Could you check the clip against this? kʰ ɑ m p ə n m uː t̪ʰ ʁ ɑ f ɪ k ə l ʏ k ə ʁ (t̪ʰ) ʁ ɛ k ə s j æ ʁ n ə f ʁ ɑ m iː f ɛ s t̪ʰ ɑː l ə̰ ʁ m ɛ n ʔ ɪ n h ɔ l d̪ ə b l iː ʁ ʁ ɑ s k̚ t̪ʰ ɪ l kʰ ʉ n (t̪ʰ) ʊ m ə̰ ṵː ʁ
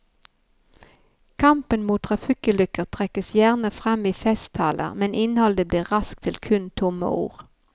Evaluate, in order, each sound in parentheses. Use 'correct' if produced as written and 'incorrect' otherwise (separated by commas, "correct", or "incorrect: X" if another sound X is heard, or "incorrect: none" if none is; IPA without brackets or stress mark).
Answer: correct, correct